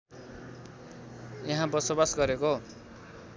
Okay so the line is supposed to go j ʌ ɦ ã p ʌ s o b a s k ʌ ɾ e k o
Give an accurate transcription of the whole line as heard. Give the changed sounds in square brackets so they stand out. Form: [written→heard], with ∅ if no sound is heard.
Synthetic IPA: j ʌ ɦ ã [p→b] ʌ s o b a s [k→ɡ] ʌ ɾ e k o